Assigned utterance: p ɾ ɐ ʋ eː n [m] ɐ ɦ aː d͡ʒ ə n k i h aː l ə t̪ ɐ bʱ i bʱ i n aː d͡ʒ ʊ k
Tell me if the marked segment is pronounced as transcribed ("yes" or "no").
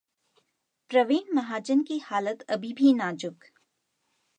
yes